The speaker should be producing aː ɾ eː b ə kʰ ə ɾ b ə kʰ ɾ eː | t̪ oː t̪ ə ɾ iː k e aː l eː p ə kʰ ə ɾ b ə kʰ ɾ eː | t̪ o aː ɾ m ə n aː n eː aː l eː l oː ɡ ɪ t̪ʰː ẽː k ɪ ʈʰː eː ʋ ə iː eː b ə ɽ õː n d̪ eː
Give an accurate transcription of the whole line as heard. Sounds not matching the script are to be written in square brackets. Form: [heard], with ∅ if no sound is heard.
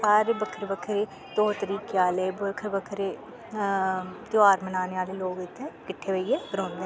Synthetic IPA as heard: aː ɾ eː b ə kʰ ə ɾ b ə kʰ ɾ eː | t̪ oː t̪ ə ɾ iː k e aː l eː [b] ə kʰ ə ɾ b ə kʰ ɾ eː | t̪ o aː ɾ m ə n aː n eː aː l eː l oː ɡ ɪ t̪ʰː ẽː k ɪ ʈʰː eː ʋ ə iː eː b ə [ɾ] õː n d̪ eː